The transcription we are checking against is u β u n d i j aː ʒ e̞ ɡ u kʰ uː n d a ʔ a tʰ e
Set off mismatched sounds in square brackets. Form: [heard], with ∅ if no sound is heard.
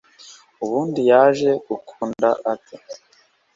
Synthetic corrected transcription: u β [uː] n d i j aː ʒ e̞ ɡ u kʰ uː n d a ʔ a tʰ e